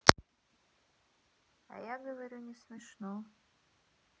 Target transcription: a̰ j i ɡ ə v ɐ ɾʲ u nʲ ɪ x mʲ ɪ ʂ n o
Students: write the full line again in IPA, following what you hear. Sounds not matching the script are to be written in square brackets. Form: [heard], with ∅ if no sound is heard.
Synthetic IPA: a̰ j [a] ɡ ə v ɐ ɾʲ u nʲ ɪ [s] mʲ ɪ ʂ n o

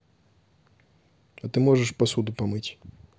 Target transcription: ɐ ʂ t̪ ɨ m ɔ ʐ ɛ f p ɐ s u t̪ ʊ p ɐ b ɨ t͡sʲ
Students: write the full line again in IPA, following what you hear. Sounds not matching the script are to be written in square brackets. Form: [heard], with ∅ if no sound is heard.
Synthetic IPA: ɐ [∅] t̪ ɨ m ɔ ʐ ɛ [ʂ] p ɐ s u [d̪] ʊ p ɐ [m] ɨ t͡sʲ

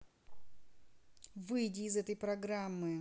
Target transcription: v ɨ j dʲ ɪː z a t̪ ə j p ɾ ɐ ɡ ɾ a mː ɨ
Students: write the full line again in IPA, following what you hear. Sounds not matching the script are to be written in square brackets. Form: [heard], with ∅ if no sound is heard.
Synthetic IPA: v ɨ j dʲ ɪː z [ɛ] t̪ ə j p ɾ ɐ ɡ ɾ a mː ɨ

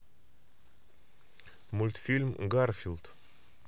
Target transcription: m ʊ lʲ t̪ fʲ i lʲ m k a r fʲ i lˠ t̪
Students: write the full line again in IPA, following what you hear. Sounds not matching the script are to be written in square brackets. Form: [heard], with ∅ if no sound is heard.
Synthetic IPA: m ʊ lʲ t̪ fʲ i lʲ m [ɡ] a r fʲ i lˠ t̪

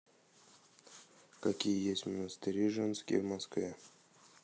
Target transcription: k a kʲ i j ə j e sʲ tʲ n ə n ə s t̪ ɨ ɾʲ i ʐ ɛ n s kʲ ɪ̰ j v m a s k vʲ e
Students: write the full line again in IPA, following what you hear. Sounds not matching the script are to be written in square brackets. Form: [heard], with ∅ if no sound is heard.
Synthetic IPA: k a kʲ i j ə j e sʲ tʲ [m] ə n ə s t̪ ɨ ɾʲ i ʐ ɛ n s kʲ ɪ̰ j v m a s k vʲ e

